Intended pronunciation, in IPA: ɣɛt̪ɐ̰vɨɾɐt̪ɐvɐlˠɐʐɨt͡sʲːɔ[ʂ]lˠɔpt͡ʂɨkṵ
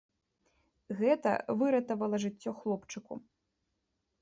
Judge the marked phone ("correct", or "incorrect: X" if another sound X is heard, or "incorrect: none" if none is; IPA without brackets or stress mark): incorrect: x